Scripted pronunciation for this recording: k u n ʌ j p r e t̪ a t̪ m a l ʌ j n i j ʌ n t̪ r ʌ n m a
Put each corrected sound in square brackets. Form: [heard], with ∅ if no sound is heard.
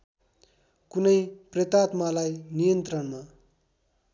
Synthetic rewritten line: k u n ʌ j p r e t̪ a t̪ m a l [a] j n i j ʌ n t̪ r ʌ n m a

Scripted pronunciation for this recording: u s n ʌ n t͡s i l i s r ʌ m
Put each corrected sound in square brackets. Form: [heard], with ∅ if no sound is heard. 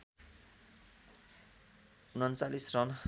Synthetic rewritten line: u [∅] n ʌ n t͡s [a] l i s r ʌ [n]

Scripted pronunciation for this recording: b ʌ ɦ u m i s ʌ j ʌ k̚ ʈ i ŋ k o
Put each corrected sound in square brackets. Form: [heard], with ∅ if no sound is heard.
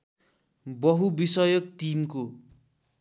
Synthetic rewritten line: b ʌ ɦ u [b] i s ʌ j ʌ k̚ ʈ i [m] k o

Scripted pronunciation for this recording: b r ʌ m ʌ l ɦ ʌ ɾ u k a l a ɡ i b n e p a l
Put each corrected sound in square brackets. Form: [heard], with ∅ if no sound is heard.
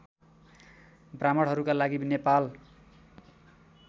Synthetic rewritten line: b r [a] m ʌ [ɽ] ɦ ʌ ɾ u k a l a ɡ i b n e p a l

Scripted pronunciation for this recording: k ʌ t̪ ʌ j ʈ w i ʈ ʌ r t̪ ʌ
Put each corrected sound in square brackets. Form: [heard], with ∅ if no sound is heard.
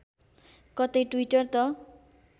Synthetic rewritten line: k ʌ t̪ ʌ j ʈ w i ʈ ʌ r t̪ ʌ

